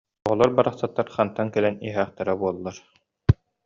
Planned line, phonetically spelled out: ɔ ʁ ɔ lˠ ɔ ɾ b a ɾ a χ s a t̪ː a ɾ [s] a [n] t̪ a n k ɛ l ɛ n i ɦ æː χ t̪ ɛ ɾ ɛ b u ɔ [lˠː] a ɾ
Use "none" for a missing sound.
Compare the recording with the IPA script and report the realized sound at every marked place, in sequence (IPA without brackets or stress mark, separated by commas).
χ, n, lˠː